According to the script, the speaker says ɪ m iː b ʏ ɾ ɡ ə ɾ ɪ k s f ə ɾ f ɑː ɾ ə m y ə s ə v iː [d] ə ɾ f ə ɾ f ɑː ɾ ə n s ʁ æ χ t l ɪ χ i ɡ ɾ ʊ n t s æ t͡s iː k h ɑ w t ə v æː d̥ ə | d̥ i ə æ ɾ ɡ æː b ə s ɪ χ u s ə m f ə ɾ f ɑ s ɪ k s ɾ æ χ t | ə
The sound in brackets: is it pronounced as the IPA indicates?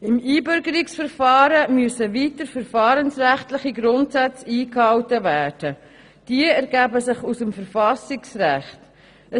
no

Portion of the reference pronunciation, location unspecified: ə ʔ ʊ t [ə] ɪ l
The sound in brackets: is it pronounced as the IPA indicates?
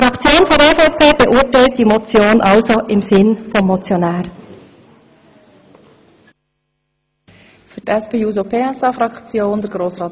no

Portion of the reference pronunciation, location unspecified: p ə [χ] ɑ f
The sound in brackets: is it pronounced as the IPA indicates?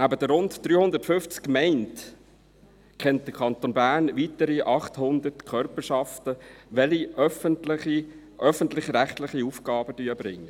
no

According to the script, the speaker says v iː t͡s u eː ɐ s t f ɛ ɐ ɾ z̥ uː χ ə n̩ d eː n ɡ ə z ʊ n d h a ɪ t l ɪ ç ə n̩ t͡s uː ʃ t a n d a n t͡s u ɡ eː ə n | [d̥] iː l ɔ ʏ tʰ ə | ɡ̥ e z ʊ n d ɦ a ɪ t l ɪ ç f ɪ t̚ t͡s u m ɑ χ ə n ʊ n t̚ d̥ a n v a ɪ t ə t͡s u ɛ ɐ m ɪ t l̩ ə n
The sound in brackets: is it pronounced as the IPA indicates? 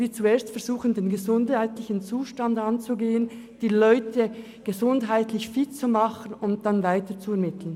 yes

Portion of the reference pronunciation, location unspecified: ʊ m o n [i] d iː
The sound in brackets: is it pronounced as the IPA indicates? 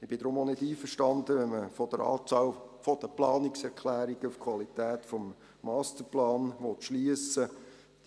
no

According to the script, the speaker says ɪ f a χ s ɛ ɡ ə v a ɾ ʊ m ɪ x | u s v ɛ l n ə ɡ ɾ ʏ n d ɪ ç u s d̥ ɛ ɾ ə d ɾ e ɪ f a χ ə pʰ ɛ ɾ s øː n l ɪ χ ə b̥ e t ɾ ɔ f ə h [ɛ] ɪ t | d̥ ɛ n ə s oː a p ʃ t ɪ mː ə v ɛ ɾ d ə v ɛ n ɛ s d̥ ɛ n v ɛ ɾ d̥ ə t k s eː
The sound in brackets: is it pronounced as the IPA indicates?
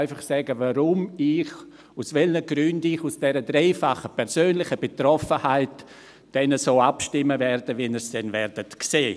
no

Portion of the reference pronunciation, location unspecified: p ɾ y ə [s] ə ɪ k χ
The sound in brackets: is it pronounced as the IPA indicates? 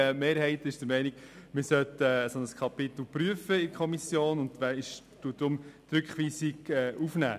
no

